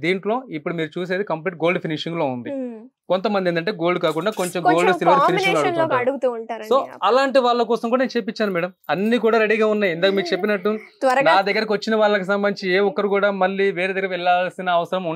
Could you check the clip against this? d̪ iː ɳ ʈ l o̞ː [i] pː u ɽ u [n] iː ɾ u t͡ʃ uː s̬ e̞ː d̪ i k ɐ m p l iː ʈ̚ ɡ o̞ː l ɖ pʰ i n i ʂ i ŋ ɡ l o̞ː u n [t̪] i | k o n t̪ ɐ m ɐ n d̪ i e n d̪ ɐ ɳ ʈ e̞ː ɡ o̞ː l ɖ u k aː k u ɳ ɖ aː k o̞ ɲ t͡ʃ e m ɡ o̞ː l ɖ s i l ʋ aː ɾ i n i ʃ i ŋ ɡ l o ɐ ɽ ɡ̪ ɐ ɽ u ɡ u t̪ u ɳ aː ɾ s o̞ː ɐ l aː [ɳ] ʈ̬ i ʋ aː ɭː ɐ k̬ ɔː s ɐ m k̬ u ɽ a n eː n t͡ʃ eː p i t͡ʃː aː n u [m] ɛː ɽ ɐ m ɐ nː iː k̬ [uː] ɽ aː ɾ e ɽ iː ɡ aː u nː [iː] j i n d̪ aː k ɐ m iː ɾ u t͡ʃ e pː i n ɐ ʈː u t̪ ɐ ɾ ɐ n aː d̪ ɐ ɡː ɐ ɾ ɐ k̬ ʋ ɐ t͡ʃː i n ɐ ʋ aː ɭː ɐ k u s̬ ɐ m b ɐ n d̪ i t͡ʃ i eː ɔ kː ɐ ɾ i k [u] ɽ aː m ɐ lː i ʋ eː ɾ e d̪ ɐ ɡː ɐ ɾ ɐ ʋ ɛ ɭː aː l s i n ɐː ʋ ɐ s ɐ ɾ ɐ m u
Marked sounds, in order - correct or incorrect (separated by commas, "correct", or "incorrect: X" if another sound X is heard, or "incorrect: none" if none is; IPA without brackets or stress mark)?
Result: correct, incorrect: m, incorrect: d̪, correct, correct, correct, incorrect: aː, incorrect: uː